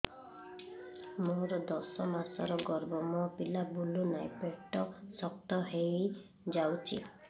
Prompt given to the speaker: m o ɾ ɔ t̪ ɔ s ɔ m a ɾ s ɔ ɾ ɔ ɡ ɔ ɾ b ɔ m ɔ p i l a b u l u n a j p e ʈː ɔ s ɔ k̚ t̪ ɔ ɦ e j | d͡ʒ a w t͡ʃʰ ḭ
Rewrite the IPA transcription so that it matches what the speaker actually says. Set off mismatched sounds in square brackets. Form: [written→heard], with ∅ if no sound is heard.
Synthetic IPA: m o ɾ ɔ [t̪→d̪] ɔ s ɔ m a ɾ s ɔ ɾ ɔ ɡ ɔ ɾ b ɔ m ɔ p i l a b u l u n a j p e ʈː ɔ s ɔ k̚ t̪ ɔ ɦ e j | d͡ʒ a w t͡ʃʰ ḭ